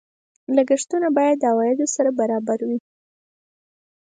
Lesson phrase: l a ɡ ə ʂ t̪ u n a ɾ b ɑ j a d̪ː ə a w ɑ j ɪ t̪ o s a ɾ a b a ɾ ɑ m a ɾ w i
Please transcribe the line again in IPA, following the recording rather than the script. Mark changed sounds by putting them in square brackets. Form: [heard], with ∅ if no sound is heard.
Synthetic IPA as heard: l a ɡ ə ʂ t̪ u n a [∅] b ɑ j a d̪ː ə a w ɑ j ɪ [d̪] o s a ɾ a b a ɾ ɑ [b] a ɾ w i